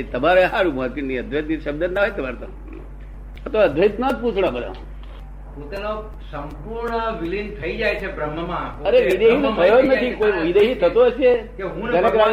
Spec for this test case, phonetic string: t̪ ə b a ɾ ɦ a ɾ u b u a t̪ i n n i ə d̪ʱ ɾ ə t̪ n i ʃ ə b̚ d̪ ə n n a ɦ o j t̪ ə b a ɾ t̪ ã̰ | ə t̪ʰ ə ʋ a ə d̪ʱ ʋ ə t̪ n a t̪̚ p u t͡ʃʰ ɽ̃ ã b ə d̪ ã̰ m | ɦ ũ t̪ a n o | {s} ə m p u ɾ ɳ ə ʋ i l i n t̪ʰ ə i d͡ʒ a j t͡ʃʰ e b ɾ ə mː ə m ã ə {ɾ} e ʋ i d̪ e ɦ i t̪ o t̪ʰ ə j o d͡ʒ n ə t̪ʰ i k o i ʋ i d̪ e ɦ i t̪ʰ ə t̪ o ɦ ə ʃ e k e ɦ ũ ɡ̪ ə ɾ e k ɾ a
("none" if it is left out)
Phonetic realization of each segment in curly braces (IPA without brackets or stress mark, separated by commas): s, ɾ